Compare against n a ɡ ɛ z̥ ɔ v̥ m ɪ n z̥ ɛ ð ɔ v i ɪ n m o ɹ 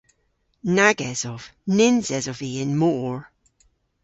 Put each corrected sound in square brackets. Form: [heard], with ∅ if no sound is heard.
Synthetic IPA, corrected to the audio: n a ɡ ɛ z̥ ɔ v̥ [n] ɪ n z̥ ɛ [z] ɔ v i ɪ n m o ɹ

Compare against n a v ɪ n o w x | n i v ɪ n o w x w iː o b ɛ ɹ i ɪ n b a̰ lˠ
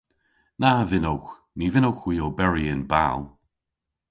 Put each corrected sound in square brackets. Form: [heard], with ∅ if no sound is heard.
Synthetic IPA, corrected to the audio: n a v ɪ n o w x | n i v ɪ n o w x w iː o b ɛ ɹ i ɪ n b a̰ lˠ

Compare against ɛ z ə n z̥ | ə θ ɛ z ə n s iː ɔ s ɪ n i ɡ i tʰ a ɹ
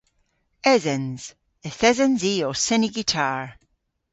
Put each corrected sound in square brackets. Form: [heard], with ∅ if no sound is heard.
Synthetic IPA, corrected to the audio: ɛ z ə n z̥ | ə θ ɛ z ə n [z] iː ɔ s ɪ n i ɡ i tʰ a ɹ

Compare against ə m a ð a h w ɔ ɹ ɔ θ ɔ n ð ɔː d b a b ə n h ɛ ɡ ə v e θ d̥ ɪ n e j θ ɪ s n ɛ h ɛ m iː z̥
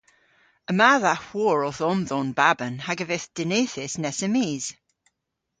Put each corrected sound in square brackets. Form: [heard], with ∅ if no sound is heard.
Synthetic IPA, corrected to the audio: ə m a ð a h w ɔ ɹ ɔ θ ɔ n ð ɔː [n] b a b ə n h [a] ɡ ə v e θ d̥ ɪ n e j θ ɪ s n ɛ [s] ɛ m iː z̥

